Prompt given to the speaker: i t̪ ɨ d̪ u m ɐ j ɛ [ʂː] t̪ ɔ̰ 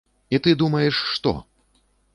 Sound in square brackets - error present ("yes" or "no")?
no